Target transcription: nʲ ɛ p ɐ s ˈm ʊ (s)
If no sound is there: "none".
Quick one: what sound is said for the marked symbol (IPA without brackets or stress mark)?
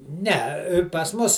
s